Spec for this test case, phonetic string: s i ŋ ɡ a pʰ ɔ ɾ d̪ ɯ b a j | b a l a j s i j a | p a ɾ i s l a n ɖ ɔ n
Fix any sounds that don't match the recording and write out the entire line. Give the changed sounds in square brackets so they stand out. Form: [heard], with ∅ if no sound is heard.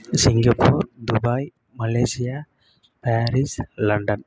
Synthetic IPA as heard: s i ŋ ɡ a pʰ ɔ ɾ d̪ [u] b a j | [m] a l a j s i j a | p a ɾ i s l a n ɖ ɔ n